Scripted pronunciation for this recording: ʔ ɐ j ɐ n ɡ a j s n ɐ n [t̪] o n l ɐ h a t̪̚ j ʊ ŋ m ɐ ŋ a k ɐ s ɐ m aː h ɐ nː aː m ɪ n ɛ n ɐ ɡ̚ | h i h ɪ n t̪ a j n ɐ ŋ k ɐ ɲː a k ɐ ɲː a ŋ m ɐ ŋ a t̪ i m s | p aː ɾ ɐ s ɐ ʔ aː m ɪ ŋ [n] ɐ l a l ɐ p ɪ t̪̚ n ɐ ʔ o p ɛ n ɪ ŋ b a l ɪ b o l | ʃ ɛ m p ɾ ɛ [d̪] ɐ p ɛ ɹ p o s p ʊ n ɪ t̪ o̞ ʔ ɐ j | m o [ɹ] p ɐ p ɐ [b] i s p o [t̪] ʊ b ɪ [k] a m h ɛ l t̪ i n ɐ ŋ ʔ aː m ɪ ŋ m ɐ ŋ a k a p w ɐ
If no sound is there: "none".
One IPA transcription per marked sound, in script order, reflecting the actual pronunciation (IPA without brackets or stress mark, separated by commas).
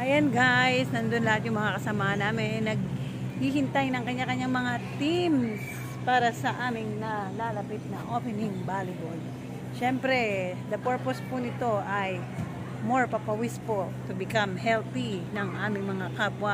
d̪, n, d̪, ɹ, w, t̪, k